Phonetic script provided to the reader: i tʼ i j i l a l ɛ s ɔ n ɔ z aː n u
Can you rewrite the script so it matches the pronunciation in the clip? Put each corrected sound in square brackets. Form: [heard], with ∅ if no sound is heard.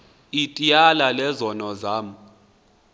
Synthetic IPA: i tʼ i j [a] l a l ɛ [z] ɔ n ɔ z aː [m] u